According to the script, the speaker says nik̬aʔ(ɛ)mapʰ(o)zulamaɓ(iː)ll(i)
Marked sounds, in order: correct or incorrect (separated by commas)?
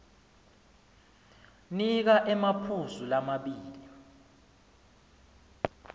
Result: correct, incorrect, correct, correct